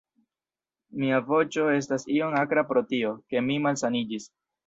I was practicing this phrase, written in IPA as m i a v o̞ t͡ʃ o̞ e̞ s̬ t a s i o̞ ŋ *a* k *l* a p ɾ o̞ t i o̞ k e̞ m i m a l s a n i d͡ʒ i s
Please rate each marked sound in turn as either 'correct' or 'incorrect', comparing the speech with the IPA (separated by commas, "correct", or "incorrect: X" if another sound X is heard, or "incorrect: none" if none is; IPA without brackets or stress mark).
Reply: correct, incorrect: ɾ